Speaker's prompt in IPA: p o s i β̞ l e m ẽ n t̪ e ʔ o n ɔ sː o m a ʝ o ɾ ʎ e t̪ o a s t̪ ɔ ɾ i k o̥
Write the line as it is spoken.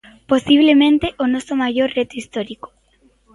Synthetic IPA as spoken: p o s i β̞ l e m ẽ n t̪ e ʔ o n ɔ s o m a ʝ o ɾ r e t̪ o i s t̪ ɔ ɾ i k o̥